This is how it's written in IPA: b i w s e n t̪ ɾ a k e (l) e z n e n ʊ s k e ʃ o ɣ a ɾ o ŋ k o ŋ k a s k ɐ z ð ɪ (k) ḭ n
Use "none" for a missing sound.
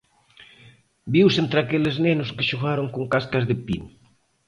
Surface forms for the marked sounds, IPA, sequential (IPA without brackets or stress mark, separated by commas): l, p